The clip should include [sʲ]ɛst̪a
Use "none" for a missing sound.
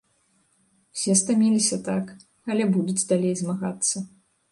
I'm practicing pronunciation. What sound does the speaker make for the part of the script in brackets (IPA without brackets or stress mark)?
sʲ